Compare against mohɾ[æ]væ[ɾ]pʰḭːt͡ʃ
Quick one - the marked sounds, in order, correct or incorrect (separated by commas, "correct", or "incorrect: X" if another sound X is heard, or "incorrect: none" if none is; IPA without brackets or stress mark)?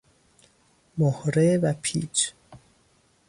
incorrect: e, incorrect: none